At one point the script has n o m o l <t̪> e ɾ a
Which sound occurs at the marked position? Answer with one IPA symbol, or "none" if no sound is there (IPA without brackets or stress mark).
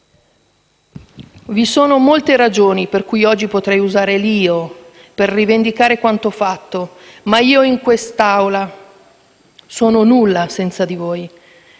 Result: t̪